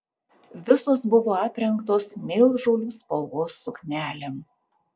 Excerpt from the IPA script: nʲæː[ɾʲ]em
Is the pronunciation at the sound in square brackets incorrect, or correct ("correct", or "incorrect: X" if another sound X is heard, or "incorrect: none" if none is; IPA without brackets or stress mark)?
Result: incorrect: lʲ